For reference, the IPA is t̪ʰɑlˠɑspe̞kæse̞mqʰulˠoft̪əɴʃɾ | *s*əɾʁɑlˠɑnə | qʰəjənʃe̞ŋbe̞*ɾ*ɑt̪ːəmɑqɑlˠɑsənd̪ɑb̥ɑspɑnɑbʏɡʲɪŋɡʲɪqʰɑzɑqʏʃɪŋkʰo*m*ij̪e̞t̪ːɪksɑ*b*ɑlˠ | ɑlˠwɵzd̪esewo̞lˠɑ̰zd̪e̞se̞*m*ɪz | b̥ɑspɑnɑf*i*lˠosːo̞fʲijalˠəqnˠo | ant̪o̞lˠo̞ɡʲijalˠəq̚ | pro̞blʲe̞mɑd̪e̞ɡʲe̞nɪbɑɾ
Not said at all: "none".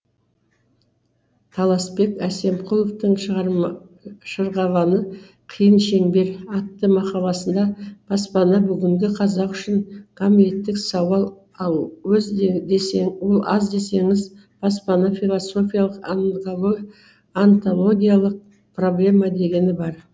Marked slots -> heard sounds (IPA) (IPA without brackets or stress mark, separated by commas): ʃ, ɾ, m, w, ŋ, i